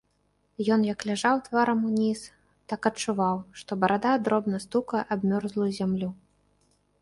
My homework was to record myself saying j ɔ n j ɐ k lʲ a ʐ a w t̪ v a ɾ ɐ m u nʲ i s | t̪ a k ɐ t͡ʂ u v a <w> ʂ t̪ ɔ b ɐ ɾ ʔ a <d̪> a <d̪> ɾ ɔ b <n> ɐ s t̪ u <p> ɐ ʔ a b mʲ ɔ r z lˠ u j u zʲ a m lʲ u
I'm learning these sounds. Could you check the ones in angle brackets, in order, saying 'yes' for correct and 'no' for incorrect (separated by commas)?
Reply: yes, yes, yes, yes, no